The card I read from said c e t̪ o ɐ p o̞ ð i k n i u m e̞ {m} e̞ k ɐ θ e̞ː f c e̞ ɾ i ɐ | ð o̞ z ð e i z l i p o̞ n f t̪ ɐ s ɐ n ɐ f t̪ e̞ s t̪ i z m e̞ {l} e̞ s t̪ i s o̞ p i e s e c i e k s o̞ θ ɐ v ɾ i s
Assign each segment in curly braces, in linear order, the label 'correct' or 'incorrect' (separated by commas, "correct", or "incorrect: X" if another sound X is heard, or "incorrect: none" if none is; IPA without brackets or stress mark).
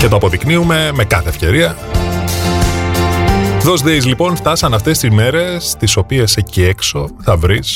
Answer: correct, incorrect: ɾ